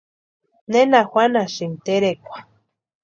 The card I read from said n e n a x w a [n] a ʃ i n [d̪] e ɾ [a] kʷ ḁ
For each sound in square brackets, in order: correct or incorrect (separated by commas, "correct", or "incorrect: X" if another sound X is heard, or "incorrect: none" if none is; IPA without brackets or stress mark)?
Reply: correct, incorrect: t̪, incorrect: e